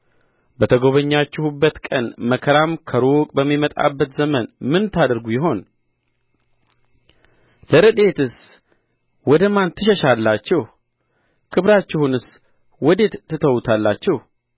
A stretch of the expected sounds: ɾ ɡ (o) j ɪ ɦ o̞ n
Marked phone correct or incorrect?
incorrect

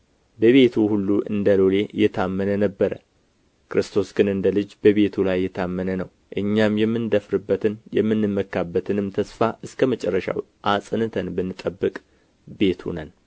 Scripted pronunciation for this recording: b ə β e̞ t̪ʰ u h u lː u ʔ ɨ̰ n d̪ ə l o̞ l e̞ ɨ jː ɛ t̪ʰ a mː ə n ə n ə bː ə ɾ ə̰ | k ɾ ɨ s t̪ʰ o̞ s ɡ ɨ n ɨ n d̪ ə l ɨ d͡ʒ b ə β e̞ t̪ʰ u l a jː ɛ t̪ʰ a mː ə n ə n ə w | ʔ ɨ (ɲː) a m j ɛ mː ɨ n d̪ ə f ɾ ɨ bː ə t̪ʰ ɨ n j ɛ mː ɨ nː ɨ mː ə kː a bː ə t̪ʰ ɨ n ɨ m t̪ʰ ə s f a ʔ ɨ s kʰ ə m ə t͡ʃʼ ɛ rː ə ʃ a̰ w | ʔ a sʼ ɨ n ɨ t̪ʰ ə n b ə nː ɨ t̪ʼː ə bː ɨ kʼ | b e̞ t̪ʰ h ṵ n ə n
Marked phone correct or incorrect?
correct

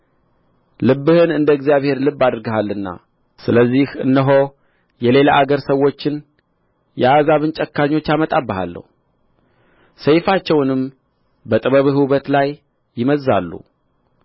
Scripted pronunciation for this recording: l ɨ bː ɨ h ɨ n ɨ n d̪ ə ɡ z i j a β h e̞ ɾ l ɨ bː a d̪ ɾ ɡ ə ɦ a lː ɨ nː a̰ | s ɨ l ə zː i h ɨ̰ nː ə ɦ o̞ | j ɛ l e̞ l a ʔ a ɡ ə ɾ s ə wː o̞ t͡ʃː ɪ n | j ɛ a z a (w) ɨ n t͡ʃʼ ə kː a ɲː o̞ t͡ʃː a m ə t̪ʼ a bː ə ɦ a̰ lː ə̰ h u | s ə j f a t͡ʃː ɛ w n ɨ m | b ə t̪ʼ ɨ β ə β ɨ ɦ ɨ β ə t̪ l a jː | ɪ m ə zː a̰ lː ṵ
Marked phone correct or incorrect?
incorrect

